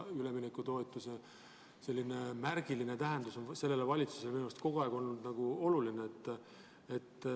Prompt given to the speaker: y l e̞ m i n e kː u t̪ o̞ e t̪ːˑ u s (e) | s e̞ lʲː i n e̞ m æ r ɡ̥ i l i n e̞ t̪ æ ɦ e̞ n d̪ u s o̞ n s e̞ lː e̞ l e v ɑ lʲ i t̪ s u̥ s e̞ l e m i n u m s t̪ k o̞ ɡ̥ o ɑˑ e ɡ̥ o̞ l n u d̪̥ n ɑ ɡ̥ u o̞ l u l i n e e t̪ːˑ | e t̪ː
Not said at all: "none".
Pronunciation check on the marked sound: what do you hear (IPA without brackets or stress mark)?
e